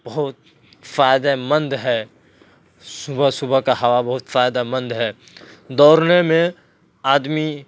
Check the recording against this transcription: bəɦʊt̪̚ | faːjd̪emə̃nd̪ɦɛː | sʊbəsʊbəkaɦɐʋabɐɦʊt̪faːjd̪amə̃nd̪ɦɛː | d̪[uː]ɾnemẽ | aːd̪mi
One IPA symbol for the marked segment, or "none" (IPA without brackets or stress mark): ɔː